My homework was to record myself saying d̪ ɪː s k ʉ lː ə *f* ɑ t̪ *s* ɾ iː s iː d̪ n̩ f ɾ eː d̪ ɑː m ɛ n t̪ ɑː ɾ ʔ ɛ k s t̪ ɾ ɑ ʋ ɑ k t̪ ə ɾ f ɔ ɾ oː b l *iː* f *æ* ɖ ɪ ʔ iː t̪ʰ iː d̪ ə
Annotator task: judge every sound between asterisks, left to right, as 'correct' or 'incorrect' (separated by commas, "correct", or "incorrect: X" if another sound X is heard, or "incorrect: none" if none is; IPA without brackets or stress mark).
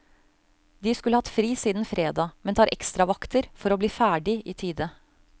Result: incorrect: h, incorrect: f, correct, incorrect: æː